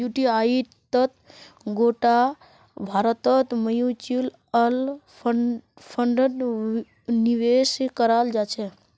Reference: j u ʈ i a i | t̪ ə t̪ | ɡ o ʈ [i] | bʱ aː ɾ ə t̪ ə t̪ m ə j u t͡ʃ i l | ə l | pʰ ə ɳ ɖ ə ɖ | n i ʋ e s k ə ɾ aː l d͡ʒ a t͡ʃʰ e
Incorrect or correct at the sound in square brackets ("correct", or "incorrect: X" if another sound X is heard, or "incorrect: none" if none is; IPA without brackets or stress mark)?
incorrect: a